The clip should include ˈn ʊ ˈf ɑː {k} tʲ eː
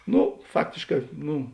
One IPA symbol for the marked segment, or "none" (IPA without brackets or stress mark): k